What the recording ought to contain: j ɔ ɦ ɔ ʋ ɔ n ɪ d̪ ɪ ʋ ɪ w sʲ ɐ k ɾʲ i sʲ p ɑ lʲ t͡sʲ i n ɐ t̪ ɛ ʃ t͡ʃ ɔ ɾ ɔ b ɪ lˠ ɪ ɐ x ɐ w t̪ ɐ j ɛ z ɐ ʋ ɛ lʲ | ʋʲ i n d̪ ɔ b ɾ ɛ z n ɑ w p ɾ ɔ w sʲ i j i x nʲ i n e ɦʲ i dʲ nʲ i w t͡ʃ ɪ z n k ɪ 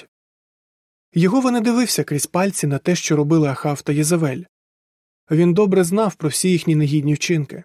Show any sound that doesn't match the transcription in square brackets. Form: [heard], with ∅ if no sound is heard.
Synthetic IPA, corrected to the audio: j ɔ ɦ ɔ ʋ ɔ n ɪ d̪ ɪ ʋ ɪ w sʲ ɐ k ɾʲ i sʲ p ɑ lʲ t͡sʲ i n ɐ t̪ ɛ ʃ t͡ʃ ɔ ɾ ɔ b ɪ lˠ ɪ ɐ x [ɑ] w t̪ ɐ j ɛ z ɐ ʋ ɛ lʲ | ʋʲ i n d̪ ɔ b ɾ ɛ z n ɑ w p ɾ ɔ w sʲ i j i x nʲ i n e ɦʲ i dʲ nʲ i w t͡ʃ ɪ [∅] n k ɪ